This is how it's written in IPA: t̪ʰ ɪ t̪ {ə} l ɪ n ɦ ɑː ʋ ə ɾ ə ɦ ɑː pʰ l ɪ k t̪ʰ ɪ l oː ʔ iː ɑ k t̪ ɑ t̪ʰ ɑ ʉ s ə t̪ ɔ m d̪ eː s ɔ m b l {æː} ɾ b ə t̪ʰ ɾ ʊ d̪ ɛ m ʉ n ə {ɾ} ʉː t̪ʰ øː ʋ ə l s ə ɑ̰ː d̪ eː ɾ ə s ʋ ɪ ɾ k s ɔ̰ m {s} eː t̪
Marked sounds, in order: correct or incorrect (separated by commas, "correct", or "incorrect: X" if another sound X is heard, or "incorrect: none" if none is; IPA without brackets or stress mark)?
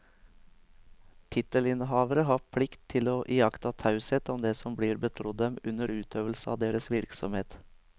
correct, incorrect: iː, correct, incorrect: h